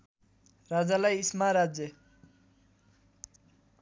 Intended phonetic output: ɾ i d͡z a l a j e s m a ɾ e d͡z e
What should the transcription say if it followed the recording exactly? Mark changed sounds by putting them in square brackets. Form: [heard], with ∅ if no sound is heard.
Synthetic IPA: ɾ [a] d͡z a l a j [i] s m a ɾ [a] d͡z e